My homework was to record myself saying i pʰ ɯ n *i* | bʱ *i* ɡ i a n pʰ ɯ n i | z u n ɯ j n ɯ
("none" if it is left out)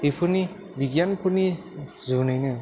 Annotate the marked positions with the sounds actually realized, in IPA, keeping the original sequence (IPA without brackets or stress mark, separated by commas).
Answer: i, i